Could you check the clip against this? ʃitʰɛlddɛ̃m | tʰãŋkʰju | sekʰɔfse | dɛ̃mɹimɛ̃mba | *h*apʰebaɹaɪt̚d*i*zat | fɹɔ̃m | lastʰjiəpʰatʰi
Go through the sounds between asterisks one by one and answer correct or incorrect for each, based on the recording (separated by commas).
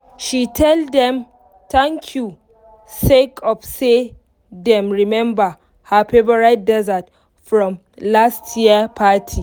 correct, incorrect